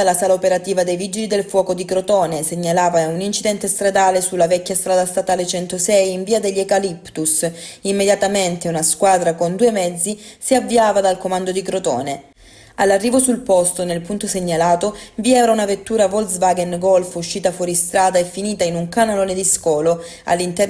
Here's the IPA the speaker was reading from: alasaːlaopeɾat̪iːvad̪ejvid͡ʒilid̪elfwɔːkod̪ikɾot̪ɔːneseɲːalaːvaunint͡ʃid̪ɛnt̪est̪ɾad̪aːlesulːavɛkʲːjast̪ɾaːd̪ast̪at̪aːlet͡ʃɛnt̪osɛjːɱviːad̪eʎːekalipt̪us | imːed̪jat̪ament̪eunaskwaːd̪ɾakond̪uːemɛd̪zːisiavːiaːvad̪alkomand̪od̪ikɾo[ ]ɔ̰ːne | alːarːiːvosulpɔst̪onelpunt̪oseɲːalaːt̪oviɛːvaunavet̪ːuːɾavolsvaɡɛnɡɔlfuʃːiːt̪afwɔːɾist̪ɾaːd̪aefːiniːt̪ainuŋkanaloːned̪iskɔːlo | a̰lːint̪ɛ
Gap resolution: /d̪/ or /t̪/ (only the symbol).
t̪